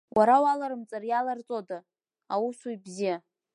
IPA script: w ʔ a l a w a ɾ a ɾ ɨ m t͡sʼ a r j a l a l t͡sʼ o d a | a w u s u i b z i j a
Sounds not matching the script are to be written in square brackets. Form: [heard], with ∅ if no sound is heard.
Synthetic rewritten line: w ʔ a [ɾ] a w a [l] a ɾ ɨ m t͡sʼ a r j a l a [r] t͡sʼ o d a | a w u s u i b z i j a